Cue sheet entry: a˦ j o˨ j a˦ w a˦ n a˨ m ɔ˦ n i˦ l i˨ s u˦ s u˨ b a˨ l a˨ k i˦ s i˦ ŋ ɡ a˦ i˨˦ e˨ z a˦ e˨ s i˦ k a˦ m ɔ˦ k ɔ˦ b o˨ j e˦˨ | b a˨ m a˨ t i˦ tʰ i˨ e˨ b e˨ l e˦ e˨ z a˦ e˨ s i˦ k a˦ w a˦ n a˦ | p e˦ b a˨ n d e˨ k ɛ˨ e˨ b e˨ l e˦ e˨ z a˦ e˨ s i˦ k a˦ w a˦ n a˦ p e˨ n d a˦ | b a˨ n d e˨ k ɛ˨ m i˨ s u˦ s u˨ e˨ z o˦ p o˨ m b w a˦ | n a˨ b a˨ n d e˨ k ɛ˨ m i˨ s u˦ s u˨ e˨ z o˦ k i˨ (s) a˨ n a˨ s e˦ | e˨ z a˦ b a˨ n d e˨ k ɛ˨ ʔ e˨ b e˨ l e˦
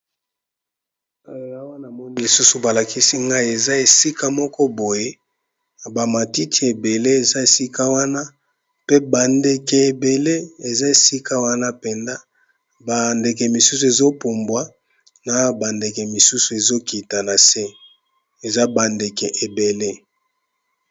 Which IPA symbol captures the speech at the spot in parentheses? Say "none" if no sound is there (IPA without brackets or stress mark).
t